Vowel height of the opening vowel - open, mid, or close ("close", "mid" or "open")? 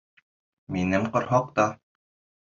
close